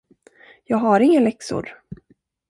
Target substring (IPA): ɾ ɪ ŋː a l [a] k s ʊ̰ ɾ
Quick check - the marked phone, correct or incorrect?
incorrect